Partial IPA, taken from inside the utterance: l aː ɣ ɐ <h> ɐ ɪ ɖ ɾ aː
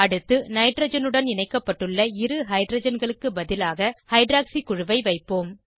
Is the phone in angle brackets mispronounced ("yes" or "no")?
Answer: no